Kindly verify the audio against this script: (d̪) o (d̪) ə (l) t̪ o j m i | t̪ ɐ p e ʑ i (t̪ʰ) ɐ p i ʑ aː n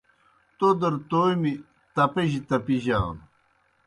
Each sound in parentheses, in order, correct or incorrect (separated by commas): incorrect, correct, incorrect, incorrect